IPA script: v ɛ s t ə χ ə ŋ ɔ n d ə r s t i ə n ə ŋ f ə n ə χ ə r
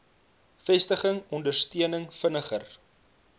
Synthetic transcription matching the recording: f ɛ s t ə χ ə ŋ ɔ n d ə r s t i ə n ə ŋ f ə n ə χ ə r